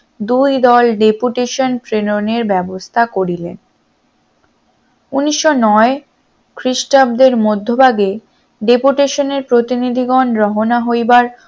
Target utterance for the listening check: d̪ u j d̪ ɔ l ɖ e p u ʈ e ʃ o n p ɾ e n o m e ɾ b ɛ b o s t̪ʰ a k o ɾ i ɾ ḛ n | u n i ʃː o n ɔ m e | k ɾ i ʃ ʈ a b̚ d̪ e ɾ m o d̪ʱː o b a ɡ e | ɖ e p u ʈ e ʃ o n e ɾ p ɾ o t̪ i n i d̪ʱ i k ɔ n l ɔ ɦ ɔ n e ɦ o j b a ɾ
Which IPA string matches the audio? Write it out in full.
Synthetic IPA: d̪ u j d̪ ɔ l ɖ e p u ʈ e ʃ o n p ɾ e n o n e ɾ b ɛ b o s t̪ʰ a k o ɾ i l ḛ n | u n i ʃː o n ɔ e | k ɾ i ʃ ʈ a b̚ d̪ e ɾ m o d̪ʱː o b a ɡ e | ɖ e p u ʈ e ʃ o n e ɾ p ɾ o t̪ i n i d̪ʱ i ɡ ɔ n ɾ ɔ ɦ o n a ɦ o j b a ɾ

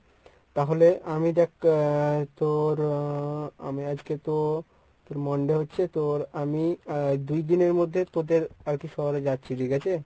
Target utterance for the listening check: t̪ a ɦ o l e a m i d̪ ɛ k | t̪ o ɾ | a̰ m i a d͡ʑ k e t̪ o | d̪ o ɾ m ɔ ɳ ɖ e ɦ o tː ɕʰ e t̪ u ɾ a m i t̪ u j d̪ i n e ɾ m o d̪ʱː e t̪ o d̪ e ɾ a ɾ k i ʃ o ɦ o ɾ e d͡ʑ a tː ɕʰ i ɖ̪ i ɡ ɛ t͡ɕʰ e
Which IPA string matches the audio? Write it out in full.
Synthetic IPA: t̪ a ɦ o l e a m i d̪ ɛ k | t̪ o ɾ | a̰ m i a d͡ʑ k e t̪ o | t̪ o ɾ m ɔ ɳ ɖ e ɦ o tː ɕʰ e t̪ o ɾ a m i d̪ u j d̪ i n e ɾ m o d̪ʱː e t̪ o d̪ e ɾ a ɾ k i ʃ ɔ ɦ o ɾ e d͡ʑ a tː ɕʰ i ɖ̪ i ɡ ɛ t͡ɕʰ e

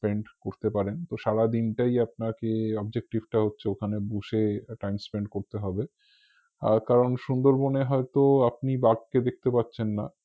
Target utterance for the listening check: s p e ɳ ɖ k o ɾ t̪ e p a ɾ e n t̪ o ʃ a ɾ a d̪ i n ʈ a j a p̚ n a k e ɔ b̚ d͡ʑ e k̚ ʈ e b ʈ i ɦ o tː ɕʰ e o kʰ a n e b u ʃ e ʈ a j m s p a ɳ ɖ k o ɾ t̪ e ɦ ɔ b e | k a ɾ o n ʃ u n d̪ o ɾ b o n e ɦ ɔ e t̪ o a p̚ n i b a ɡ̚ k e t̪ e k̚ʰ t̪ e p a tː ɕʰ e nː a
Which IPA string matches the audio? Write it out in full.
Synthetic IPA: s p e ɳ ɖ k o ɾ t̪ e p a ɾ e n t̪ o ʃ a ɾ a d̪ i n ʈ a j a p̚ n a k e ɔ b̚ d͡ʑ e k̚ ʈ i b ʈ a ɦ o tː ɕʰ e o kʰ a n e b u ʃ e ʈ a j m s p e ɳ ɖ k o ɾ t̪ e ɦ ɔ b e | k a ɾ o n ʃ u n d̪ o ɾ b o n e ɦ ɔ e t̪ o a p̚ n i b a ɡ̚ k e d̪ e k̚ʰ t̪ e p a tː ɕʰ e nː a

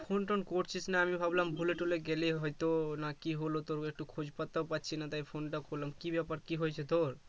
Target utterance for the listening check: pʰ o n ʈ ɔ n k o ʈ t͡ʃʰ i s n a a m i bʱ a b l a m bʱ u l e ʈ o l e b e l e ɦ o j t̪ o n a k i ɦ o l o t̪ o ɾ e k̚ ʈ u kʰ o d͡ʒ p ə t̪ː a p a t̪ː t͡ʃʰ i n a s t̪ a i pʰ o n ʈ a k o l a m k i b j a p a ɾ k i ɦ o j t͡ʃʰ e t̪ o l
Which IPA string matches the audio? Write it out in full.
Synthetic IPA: pʰ o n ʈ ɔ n k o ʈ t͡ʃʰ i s n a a m i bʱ a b l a m bʱ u l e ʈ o l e ɡ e l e ɦ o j t̪ o n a k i ɦ o l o t̪ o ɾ e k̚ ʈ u kʰ o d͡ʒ p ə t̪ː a p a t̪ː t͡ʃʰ i n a t̪ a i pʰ o n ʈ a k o l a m k i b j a p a ɾ k i ɦ o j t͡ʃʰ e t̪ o ɾ

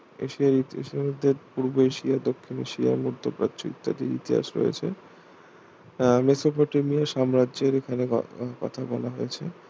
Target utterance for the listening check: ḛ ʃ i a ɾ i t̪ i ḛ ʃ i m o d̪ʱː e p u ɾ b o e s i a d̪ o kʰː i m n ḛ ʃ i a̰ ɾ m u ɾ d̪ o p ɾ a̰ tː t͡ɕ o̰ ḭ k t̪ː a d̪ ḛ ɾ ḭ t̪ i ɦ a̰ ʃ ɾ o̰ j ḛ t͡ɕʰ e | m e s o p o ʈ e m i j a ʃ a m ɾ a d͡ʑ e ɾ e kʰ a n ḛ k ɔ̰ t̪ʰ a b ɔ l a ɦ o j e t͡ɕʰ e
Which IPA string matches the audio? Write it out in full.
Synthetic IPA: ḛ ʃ i a ɾ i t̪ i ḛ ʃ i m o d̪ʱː e p u ɾ b o e ʃ i a d̪ o kʰː i n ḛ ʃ i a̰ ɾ m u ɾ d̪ o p ɾ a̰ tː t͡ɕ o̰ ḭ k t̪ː a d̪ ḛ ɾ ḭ t̪ i ɦ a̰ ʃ ɾ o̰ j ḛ t͡ɕʰ e | m e s o p o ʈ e m i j a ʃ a m ɾ a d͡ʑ e ɾ e kʰ a n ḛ k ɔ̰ t̪ʰ a b ɔ l a ɦ o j e t͡ɕʰ e

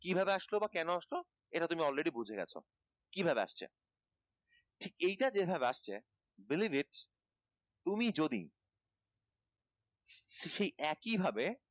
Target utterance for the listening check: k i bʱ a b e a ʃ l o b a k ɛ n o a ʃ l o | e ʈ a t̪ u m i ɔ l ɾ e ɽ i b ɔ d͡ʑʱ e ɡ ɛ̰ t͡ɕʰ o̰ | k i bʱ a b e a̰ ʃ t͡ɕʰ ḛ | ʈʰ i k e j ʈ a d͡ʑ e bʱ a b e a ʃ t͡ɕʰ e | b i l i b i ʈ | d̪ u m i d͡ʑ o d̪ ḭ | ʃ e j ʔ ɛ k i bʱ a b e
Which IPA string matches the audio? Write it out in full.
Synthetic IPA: k i bʱ a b e a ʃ l o b a k ɛ n o a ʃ l o | e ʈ a t̪ u m i ɔ l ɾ e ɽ i b u d͡ʑʱ e ɡ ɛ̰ t͡ɕʰ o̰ | k i bʱ a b e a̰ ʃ t͡ɕʰ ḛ | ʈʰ i k e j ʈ a d͡ʑ e bʱ a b e a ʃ t͡ɕʰ e | b i l i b i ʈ | t̪ u m i d͡ʑ o d̪ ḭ | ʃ e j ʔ ɛ k i bʱ a b e

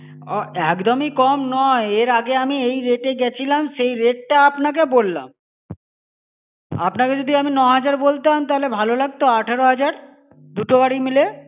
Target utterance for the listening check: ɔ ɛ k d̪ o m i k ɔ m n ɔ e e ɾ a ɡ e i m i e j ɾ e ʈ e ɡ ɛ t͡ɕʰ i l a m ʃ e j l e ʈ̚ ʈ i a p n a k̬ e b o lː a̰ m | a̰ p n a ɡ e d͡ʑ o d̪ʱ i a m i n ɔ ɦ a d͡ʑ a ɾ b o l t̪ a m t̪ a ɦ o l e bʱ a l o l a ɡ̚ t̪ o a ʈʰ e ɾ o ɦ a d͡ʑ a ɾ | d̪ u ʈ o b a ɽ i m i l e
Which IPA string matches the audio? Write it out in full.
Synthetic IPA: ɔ ɛ k d̪ o m i k ɔ m n ɔ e e ɾ a ɡ e a m i e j ɾ e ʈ e ɡ ɛ t͡ɕʰ i l a m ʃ e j ɾ e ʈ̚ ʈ a a p n a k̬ e b o lː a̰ m | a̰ p n a k e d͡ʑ o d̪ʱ i a m i n ɔ ɦ a d͡ʑ a ɾ b o l t̪ a m t̪ a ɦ o l e bʱ a l o l a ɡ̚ t̪ o a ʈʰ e ɾ o ɦ a d͡ʑ a ɾ | d̪ u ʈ o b a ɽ i m i l e

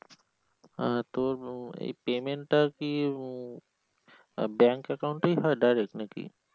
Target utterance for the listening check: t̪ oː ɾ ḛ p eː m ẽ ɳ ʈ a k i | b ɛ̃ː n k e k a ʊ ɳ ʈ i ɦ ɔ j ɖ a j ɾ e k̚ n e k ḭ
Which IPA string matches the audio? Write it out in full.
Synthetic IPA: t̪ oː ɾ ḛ p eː m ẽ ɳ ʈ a k i | b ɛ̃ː ŋ k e k a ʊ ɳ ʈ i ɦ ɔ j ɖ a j ɾ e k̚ n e k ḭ

